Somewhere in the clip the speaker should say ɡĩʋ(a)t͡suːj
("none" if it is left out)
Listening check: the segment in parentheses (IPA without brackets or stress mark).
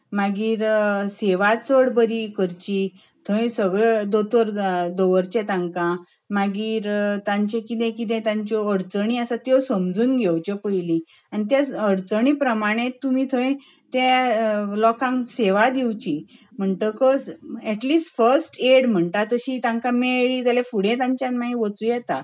ə